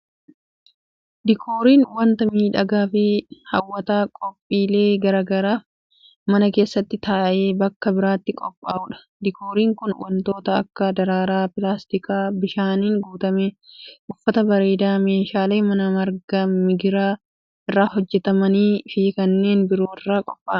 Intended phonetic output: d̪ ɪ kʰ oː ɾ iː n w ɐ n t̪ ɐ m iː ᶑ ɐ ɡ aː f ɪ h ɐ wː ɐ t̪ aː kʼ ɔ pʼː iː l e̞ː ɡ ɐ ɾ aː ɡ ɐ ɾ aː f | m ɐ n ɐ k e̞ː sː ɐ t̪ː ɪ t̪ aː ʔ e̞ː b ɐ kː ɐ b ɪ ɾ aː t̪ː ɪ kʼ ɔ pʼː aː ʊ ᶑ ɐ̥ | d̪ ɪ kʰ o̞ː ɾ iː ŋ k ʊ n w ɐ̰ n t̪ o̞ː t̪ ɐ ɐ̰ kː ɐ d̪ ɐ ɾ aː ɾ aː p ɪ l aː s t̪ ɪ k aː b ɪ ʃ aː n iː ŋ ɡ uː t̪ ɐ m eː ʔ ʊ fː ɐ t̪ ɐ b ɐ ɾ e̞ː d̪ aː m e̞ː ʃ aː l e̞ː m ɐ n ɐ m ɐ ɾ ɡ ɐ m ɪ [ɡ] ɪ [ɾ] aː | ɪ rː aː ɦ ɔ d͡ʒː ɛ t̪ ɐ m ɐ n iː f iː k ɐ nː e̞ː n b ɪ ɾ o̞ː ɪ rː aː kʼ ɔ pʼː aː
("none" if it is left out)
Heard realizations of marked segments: ɡ, ɾ

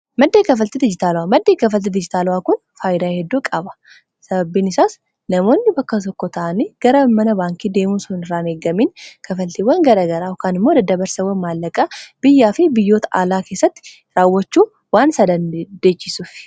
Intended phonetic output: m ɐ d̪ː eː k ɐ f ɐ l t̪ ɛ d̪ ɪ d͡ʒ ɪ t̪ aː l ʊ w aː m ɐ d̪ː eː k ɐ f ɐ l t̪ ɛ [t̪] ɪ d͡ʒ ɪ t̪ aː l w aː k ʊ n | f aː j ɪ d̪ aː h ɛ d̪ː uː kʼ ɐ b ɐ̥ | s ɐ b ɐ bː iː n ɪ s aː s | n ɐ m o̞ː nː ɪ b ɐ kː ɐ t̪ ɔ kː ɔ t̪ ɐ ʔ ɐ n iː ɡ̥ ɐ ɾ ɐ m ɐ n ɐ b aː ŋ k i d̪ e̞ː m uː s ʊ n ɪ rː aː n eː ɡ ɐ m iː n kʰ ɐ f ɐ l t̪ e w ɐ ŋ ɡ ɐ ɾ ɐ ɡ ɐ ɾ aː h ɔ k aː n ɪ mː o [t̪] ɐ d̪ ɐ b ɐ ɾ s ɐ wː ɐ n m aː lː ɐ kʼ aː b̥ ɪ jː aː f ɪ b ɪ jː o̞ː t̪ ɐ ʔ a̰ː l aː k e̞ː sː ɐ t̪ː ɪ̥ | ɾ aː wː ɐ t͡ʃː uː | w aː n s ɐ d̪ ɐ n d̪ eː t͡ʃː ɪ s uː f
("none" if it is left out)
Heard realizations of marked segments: d̪, d̪

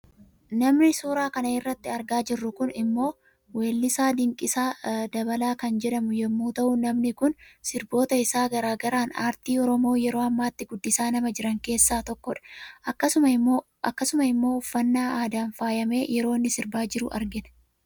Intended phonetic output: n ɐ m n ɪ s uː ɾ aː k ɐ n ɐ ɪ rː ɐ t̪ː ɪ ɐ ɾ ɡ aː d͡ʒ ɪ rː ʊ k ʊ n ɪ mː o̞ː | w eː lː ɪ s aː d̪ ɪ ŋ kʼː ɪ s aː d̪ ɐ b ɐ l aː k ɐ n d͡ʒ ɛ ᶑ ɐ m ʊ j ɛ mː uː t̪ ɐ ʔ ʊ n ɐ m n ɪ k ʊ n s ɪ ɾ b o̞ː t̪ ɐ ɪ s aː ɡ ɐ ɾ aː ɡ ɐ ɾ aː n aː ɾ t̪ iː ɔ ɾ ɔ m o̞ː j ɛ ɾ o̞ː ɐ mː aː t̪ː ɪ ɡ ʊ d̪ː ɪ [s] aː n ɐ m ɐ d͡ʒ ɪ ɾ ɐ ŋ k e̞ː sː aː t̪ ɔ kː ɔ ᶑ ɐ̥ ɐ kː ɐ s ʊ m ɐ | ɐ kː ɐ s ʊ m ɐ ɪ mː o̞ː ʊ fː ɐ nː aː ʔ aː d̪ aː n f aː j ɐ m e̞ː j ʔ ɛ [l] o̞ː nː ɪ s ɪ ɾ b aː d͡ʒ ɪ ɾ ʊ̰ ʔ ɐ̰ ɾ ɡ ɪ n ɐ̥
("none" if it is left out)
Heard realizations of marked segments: s, ɾ

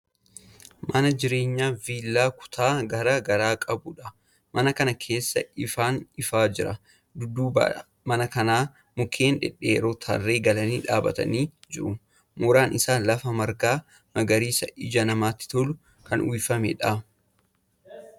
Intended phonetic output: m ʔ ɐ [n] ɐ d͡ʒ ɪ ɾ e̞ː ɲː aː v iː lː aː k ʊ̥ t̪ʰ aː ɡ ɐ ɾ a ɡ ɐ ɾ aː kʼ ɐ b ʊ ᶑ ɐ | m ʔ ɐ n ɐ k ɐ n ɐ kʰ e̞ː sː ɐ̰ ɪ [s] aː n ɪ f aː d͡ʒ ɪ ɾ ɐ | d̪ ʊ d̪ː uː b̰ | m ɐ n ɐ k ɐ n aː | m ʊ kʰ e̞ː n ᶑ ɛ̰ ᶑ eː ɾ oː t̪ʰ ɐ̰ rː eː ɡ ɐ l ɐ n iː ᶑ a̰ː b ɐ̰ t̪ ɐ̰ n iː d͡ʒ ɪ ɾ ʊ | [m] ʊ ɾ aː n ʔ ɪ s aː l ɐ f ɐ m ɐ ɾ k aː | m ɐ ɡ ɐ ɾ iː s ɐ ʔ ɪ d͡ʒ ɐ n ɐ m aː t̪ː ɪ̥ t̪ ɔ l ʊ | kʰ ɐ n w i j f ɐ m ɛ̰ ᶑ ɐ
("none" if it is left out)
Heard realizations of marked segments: n, f, m

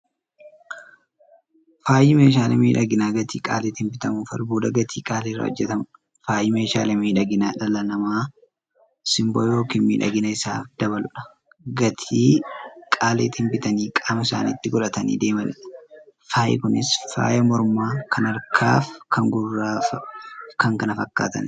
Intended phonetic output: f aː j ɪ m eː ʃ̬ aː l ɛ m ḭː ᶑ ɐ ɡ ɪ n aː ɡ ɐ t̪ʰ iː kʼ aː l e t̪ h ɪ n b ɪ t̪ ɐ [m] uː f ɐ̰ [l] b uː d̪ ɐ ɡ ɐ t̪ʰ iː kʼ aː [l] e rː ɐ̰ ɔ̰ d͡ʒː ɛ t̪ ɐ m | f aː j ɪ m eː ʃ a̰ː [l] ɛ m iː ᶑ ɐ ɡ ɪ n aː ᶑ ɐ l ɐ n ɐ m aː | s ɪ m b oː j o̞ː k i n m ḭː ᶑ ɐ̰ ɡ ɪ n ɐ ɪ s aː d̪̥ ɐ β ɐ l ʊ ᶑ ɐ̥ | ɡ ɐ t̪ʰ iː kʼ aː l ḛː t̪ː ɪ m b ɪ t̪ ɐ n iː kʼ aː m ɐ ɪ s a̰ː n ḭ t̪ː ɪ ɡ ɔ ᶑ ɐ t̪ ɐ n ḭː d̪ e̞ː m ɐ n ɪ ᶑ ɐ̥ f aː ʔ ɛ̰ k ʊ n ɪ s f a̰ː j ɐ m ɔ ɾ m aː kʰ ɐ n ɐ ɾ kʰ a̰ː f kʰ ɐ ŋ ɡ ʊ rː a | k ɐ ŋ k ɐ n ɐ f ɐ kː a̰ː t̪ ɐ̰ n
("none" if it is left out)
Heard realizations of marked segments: m, l, l, l

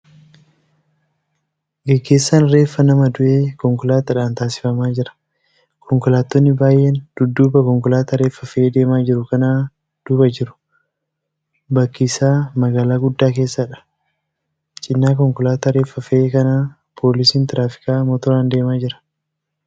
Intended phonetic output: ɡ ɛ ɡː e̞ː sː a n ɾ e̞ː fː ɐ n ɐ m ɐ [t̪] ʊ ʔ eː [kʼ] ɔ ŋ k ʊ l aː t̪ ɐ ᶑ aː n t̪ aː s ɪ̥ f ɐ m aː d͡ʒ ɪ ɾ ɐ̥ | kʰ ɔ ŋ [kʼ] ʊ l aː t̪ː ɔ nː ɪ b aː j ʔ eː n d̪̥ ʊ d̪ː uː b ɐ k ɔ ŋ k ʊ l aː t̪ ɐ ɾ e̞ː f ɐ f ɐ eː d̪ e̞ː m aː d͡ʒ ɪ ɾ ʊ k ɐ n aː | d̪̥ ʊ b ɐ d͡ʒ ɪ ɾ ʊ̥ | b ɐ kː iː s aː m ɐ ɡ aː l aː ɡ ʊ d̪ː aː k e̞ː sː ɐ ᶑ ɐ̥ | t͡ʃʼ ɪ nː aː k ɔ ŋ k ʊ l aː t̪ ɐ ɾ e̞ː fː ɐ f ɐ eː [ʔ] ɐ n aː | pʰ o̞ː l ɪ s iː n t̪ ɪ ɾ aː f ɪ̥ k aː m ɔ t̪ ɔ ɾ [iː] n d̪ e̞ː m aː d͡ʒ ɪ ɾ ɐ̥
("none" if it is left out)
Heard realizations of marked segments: d̪, k, k, k, aː

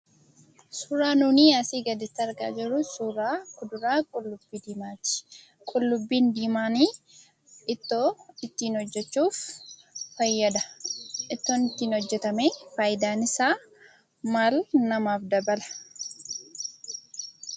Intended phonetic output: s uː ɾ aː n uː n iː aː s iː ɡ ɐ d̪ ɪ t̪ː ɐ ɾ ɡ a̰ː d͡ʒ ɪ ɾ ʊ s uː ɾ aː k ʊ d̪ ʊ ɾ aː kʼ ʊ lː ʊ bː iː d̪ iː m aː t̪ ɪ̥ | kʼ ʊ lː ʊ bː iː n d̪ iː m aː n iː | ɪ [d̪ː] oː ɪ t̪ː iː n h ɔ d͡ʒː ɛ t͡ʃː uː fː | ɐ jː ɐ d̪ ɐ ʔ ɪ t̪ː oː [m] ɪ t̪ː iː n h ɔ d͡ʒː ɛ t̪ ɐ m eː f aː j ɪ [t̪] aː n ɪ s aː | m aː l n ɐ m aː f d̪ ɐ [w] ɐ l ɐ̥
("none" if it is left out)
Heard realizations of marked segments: t̪ː, n, d̪, b

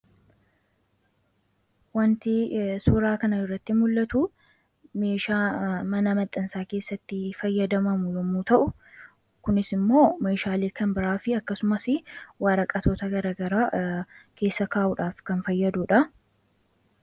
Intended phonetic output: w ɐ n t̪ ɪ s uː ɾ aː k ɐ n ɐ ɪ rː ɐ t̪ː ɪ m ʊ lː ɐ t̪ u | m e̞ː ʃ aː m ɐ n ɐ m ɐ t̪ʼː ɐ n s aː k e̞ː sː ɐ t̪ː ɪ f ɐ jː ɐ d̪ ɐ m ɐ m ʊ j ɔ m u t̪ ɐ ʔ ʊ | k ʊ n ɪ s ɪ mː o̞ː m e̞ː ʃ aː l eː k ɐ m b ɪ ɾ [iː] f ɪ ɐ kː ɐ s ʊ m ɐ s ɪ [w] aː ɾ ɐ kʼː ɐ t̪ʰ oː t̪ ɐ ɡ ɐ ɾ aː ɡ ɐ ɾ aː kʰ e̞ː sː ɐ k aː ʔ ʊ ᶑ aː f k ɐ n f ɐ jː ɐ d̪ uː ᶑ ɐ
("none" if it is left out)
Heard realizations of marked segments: aː, w

